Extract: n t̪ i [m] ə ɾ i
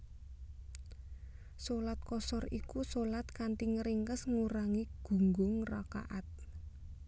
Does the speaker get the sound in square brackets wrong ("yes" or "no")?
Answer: yes